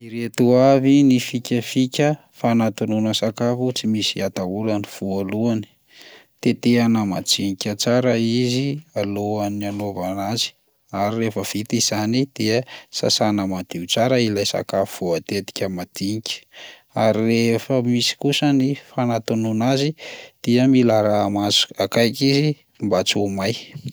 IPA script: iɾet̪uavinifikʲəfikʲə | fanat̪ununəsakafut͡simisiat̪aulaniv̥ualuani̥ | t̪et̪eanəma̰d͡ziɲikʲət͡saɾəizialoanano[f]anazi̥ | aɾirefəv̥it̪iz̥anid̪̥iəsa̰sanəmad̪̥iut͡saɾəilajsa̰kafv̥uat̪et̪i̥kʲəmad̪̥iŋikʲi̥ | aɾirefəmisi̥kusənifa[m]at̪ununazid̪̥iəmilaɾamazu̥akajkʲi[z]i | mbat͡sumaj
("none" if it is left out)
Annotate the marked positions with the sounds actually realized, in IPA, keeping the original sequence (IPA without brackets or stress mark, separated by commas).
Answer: v, n, z